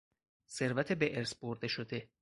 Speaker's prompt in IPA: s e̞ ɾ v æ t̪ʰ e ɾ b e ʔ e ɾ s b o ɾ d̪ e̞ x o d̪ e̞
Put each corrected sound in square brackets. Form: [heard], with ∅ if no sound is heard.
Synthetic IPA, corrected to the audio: s e̞ ɾ v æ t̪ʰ e [∅] b e ʔ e ɾ s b o ɾ d̪ e̞ [ʃ] o d̪ e̞